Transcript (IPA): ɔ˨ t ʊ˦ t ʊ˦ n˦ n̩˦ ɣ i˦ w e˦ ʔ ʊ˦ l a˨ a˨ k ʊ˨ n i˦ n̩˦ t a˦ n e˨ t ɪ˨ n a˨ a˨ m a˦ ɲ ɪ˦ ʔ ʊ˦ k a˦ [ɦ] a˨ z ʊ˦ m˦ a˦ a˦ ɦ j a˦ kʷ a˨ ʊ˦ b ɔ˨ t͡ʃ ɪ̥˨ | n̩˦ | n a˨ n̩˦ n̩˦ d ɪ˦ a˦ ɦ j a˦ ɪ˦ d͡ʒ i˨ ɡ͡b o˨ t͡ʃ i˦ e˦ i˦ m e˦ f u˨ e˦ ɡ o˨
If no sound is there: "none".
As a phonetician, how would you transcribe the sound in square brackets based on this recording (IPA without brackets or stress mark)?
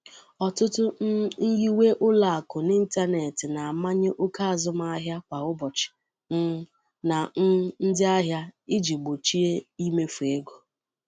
none